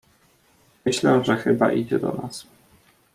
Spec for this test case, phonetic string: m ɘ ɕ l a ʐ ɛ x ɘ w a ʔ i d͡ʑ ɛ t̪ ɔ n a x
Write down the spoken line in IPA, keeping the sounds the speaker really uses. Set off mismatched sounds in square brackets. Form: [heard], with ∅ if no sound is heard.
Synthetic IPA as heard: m ɘ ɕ l [ɛ] ʐ ɛ x ɘ [b] a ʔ i d͡ʑ ɛ [d̪] ɔ n a [s]